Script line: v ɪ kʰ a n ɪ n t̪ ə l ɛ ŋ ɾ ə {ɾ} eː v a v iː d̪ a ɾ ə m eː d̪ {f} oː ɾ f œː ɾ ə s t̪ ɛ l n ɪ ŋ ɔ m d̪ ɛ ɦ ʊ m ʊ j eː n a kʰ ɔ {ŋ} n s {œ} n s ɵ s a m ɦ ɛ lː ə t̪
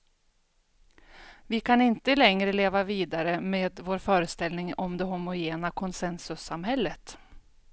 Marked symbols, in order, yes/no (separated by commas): no, no, no, no